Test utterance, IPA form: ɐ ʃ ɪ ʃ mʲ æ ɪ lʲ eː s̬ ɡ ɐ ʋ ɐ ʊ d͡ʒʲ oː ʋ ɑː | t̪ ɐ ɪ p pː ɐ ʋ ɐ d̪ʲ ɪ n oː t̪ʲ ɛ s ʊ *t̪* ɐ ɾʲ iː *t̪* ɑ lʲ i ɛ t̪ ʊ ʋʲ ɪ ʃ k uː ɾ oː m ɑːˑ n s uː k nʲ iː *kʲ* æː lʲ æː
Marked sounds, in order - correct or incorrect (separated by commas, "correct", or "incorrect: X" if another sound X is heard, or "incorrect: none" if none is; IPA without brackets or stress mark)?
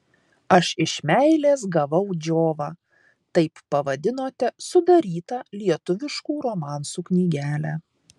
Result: incorrect: d̪, correct, incorrect: ɡʲ